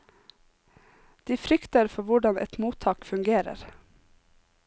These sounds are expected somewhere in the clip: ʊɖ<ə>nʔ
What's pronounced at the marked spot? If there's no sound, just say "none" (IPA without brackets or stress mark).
ɑ